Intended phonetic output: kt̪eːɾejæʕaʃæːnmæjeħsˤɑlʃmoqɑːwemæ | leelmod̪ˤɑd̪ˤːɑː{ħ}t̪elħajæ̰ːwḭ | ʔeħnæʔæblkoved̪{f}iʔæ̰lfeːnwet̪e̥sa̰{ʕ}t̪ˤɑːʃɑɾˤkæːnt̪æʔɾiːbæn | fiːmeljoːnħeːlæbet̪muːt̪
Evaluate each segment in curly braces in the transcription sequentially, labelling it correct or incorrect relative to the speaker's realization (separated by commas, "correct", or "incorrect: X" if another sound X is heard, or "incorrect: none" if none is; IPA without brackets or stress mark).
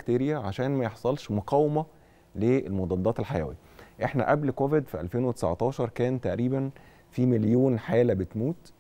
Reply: incorrect: none, correct, correct